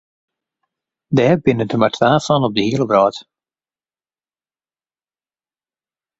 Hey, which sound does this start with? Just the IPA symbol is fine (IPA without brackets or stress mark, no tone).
d